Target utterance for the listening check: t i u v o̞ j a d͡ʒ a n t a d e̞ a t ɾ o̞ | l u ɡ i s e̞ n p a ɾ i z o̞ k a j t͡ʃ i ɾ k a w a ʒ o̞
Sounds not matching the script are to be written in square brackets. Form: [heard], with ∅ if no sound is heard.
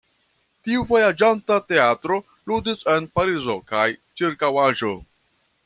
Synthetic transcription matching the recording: t i u v o̞ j a d͡ʒ a n t a [t] e̞ a t ɾ o̞ | l u [d] i s e̞ n p a ɾ i z o̞ k a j t͡ʃ i ɾ k a w a ʒ o̞